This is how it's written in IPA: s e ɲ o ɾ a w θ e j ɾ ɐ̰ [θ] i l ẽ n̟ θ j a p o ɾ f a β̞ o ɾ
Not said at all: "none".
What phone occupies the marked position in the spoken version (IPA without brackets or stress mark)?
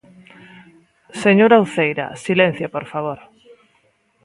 s